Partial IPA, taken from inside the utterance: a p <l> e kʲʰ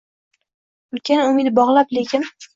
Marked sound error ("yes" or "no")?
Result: no